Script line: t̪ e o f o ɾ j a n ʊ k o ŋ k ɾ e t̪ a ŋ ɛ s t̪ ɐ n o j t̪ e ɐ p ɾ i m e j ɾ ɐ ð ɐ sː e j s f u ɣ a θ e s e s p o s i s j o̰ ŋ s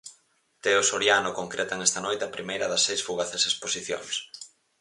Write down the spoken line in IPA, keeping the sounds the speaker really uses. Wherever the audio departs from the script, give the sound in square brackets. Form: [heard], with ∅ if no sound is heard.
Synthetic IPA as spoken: t̪ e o [s] o ɾ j a n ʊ k o ŋ k ɾ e t̪ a ŋ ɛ s t̪ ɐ n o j t̪ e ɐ p ɾ i m e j ɾ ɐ ð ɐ sː e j s f u ɣ a θ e s e s p o s i [θ] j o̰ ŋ s